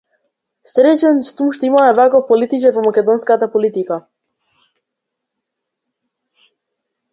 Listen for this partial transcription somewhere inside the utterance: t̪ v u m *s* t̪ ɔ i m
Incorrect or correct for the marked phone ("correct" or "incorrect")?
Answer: incorrect